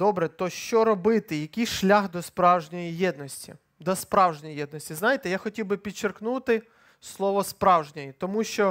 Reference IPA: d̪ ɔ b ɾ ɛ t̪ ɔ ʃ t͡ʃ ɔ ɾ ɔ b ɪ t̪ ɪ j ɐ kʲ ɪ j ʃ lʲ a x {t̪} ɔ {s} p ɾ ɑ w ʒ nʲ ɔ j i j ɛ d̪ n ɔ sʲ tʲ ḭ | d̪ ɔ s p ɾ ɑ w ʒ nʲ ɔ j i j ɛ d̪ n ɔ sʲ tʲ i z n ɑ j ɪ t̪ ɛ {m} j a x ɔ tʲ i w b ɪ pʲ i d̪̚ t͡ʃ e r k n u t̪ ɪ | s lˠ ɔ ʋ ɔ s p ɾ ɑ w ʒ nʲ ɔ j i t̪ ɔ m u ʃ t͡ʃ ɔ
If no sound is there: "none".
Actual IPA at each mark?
d̪, s, none

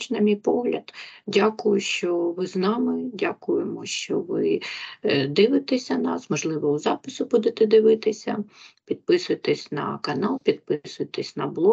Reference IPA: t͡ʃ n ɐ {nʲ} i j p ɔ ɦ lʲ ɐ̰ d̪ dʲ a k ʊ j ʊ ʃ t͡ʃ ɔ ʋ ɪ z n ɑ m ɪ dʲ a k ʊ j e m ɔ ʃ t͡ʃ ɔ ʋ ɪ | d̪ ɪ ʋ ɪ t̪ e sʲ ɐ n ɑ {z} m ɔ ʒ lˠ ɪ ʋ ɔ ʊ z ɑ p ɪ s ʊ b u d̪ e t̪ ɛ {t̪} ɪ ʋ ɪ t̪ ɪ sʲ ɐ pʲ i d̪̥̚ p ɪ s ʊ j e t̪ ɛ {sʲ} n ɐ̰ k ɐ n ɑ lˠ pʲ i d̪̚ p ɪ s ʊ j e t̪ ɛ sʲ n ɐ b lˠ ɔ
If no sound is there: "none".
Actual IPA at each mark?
mʲ, s, d̪, sʲ

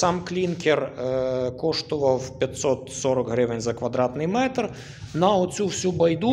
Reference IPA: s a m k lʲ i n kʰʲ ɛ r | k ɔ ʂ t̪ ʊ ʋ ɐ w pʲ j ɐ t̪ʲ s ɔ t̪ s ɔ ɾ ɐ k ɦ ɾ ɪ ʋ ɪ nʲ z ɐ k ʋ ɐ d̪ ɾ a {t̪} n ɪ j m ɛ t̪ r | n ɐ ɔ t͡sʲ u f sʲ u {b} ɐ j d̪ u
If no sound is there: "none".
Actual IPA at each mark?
t̪, b

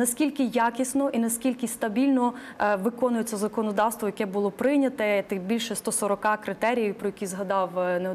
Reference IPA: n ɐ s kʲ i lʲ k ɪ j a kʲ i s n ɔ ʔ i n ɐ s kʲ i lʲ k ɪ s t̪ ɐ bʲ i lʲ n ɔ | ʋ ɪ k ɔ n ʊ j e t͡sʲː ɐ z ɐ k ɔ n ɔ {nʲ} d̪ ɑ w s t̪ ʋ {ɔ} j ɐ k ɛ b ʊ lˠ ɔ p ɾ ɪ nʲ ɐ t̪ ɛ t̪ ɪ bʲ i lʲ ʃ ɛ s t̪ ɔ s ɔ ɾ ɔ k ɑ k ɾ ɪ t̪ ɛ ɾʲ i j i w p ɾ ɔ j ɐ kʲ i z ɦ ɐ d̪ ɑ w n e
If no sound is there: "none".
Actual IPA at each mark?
none, ɔ

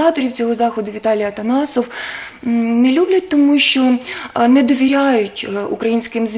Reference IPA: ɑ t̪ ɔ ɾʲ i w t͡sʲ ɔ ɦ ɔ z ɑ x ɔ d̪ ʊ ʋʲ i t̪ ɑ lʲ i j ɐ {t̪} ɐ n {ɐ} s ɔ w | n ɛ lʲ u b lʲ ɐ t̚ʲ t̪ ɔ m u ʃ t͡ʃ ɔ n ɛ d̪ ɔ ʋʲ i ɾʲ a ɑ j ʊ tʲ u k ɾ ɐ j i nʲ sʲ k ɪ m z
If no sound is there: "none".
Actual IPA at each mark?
t̪, ɑ

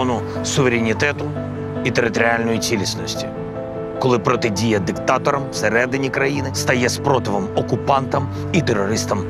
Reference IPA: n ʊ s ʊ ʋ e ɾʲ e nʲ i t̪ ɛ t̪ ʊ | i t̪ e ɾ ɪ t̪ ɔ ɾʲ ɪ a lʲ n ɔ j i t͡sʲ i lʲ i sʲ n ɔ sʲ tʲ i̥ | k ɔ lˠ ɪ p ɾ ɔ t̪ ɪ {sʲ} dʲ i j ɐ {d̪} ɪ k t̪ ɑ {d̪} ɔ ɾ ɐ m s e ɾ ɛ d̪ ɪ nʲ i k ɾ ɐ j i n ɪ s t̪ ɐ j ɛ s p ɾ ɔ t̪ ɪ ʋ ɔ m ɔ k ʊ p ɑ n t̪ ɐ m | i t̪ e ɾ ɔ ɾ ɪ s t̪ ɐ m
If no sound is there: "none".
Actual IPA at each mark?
none, d̪, t̪

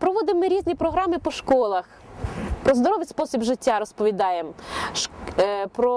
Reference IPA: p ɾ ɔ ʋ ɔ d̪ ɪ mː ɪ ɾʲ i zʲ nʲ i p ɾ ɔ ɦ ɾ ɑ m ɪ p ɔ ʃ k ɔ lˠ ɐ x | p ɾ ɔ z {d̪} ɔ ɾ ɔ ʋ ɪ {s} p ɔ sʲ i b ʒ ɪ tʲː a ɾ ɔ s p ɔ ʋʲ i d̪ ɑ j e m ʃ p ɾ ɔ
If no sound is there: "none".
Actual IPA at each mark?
d̪, s

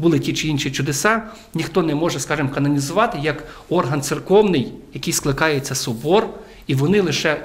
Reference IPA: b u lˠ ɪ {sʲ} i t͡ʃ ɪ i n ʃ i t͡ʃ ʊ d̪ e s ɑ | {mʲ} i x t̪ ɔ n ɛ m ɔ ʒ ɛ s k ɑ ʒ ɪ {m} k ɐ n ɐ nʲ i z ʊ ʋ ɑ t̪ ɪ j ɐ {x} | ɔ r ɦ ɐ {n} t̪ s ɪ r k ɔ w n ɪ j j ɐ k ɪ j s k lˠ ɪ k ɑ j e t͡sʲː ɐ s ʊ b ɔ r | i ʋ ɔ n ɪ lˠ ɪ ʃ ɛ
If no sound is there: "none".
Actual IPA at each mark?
tʲ, nʲ, m, k, n

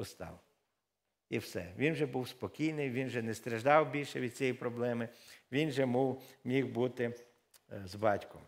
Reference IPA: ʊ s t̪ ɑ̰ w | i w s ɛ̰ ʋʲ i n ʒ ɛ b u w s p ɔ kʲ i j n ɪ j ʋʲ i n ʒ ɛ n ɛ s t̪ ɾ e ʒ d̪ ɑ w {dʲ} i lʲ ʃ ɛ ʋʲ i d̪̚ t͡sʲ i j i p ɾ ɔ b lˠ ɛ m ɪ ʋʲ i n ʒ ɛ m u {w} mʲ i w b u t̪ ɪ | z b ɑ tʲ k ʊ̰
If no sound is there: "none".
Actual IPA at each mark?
bʲ, w

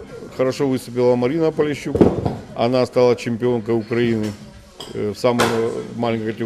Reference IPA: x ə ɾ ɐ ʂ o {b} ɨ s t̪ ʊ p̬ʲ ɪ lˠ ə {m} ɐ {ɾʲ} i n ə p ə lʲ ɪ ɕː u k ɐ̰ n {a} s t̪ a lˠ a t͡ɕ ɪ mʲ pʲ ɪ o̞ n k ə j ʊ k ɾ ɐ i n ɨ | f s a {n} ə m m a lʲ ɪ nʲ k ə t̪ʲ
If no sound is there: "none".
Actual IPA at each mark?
v, m, ɾʲ, a, m

